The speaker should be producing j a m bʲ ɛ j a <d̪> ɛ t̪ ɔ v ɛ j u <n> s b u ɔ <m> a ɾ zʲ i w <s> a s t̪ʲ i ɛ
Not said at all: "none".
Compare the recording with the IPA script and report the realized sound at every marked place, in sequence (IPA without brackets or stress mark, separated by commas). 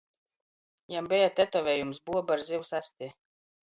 t̪, m, b, s